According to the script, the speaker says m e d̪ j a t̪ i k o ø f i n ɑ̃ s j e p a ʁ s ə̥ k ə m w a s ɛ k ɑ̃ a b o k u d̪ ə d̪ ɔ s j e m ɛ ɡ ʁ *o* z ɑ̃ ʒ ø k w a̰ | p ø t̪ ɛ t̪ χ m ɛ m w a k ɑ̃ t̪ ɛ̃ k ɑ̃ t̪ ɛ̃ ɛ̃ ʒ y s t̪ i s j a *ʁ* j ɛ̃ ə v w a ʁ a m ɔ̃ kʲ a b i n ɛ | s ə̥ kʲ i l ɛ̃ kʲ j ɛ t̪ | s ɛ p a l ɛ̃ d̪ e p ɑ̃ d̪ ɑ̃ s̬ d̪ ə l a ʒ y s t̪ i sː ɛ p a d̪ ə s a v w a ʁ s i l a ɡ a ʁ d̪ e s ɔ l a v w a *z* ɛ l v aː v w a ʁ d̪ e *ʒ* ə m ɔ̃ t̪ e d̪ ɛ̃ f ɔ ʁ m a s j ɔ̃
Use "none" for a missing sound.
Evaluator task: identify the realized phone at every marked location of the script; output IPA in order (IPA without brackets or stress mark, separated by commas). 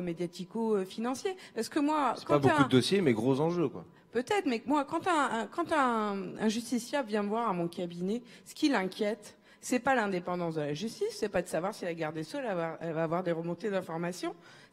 o, v, ʁ, ʁ